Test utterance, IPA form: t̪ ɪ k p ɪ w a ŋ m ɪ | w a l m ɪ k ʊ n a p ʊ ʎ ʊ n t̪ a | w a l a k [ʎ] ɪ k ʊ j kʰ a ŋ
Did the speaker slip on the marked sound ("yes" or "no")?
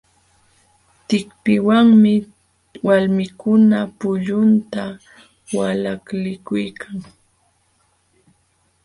yes